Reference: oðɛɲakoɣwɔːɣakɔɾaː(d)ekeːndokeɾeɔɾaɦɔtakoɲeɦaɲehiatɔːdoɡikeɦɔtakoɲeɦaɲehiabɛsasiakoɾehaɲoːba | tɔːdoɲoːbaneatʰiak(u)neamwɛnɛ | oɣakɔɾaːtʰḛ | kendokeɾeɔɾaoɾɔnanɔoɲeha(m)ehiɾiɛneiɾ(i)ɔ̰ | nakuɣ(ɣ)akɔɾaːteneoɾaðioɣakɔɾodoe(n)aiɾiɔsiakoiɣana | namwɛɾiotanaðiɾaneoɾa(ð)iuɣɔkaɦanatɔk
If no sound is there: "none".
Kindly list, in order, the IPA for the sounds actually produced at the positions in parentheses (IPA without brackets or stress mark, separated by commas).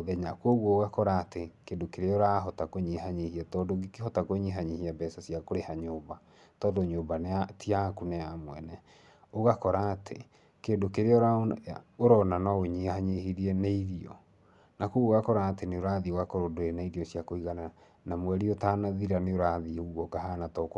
t, u, ɲ, i, ɣ, n, ð